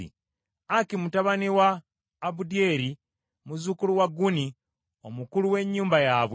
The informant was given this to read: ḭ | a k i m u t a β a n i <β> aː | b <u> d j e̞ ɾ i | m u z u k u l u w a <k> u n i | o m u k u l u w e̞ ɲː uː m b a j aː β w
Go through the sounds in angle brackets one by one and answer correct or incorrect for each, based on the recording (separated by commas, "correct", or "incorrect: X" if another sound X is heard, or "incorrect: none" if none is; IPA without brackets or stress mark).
incorrect: w, correct, incorrect: ɡ